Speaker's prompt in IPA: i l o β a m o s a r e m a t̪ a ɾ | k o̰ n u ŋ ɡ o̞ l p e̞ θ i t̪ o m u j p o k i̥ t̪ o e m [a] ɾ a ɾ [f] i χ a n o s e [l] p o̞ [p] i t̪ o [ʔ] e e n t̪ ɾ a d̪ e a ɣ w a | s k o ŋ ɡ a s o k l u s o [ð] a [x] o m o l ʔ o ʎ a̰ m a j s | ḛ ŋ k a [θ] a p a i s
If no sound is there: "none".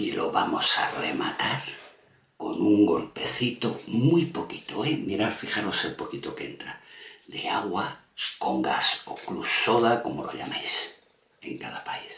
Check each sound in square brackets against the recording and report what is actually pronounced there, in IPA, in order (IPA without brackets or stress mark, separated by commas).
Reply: i, f, l, k, k, ð, k, ð